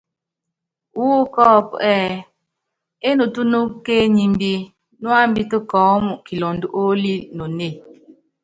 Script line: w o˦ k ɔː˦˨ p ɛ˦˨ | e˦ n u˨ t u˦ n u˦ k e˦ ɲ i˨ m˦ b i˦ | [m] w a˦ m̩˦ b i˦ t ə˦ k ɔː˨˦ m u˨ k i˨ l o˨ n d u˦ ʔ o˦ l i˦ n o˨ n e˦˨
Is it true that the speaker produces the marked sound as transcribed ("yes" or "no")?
no